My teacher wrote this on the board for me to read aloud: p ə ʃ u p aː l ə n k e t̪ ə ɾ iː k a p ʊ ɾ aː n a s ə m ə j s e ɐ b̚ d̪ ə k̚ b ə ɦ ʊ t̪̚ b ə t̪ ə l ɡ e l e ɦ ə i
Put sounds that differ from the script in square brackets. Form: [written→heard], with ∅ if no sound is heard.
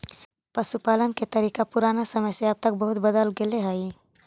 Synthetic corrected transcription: p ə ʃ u p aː l ə n k e t̪ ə ɾ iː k a p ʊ ɾ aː n a s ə m ə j s e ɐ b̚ [d̪→t̪] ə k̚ b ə ɦ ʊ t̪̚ b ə [t̪→d̪] ə l ɡ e l e ɦ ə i